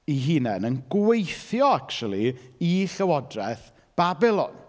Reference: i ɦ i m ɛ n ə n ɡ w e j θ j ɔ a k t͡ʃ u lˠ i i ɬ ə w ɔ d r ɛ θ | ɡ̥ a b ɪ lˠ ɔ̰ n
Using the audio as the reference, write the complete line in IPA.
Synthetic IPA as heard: i ɦ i n ɛ n ə n ɡ w e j θ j ɔ a k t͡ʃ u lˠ i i ɬ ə w ɔ d r ɛ θ | b̥ a b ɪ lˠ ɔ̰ n